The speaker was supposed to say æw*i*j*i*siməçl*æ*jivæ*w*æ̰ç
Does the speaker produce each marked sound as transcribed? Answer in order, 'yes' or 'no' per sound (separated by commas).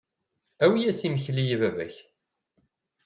yes, no, no, no